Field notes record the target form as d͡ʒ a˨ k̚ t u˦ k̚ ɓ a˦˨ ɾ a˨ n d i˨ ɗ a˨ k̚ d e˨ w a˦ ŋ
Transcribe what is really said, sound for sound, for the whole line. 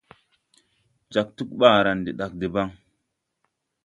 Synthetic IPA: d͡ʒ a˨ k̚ t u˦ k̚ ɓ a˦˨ ɾ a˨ n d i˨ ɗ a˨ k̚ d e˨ b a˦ ŋ